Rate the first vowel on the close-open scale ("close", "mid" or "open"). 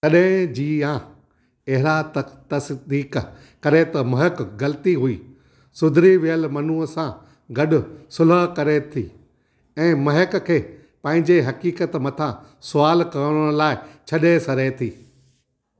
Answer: open